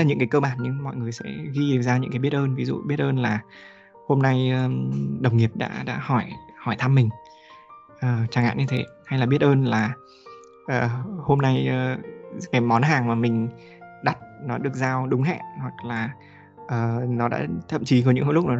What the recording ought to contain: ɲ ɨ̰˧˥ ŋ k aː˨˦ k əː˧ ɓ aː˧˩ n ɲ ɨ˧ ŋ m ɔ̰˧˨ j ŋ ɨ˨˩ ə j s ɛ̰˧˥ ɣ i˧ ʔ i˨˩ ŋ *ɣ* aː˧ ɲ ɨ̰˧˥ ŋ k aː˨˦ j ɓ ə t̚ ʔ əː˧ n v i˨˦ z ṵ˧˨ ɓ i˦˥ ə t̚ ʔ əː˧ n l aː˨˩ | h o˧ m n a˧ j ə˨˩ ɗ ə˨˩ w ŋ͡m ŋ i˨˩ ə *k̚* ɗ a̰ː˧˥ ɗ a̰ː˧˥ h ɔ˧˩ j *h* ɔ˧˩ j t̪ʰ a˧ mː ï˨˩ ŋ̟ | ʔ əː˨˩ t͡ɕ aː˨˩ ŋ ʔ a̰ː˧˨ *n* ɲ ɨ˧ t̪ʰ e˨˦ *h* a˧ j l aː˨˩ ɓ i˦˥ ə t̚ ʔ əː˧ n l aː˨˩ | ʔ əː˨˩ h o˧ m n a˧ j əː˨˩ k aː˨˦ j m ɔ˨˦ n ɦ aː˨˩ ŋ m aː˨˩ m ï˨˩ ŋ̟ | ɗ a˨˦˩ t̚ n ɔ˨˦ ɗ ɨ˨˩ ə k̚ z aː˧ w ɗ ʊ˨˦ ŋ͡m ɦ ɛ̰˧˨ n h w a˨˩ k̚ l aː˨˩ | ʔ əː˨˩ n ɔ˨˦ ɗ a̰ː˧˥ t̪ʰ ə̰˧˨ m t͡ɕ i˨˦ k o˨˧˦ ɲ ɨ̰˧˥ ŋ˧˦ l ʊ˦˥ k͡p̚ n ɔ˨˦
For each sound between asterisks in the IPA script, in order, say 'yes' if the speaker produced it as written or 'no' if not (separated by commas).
no, no, yes, yes, yes